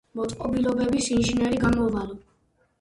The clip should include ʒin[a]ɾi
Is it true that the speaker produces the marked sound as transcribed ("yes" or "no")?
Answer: no